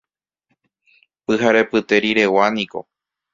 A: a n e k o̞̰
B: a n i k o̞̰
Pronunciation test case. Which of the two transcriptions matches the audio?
B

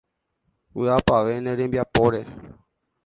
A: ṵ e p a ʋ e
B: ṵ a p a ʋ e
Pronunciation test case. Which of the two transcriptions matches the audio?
B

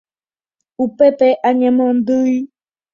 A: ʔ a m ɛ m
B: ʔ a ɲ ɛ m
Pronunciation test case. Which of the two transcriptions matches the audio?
B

